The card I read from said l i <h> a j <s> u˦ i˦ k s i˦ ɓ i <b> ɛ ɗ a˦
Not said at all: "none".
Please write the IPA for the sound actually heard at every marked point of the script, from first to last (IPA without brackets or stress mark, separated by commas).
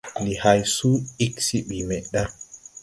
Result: h, s, m